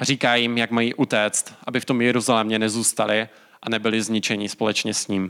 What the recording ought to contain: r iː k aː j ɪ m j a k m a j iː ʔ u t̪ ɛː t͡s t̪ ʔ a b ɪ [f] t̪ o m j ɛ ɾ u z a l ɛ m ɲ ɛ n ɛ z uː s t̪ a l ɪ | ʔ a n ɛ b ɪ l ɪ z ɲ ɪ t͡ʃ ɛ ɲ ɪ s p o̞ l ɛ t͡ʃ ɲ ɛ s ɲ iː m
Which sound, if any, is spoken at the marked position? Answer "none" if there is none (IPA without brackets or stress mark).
f